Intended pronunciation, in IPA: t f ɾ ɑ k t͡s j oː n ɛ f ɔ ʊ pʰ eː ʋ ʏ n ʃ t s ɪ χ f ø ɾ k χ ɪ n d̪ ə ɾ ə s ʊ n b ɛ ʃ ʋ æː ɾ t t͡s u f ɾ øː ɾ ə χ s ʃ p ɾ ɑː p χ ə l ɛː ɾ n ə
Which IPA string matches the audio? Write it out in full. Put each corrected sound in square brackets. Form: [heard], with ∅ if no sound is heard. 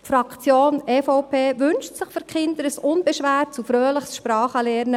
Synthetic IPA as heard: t f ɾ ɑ k t͡s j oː n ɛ f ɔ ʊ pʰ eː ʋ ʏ n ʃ t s ɪ χ f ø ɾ k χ ɪ n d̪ ə ɾ ə s ʊ n b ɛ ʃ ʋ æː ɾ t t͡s u f ɾ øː [l] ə χ s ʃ p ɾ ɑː [∅] χ ə l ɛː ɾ n ə